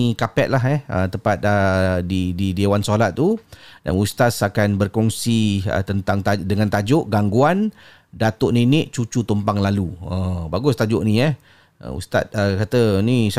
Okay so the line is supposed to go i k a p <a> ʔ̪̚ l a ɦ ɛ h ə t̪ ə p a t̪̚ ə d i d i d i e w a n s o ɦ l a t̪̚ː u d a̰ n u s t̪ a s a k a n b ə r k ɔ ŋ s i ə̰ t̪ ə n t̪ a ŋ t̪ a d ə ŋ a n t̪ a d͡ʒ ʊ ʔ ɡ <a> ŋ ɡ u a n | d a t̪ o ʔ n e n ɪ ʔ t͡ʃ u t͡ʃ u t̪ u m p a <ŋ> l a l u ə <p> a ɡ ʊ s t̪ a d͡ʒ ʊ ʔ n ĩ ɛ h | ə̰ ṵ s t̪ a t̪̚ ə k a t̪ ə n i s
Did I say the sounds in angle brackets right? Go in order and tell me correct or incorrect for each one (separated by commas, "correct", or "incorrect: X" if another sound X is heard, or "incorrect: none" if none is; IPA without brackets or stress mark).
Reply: incorrect: ɛ, correct, correct, incorrect: b